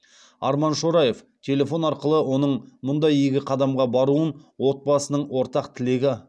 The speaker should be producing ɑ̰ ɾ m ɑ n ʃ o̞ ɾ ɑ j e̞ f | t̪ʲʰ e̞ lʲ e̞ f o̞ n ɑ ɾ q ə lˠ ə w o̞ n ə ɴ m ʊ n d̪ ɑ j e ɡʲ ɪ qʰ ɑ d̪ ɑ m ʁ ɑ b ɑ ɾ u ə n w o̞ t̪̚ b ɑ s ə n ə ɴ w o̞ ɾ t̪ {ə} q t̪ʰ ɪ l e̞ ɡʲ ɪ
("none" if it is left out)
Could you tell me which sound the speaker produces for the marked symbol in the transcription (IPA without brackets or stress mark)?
ɑ